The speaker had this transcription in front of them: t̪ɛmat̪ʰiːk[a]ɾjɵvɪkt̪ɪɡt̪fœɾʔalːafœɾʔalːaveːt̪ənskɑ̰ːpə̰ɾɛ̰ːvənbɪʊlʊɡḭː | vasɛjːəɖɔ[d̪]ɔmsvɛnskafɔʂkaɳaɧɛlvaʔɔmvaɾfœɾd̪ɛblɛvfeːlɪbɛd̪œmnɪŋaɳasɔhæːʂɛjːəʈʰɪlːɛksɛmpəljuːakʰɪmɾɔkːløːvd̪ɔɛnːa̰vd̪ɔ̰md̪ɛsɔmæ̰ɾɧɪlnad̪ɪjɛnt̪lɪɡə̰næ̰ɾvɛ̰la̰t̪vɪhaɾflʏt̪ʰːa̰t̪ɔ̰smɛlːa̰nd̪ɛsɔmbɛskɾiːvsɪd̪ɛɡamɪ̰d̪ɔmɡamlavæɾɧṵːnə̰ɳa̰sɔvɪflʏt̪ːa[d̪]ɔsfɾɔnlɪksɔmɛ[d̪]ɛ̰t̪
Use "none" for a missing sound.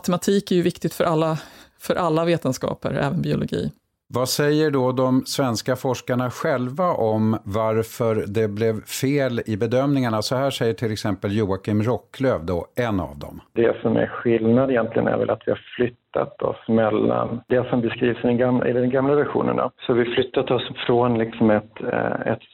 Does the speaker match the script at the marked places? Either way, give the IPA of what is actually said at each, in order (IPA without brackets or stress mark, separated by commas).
æ, d̪, t̪, t̪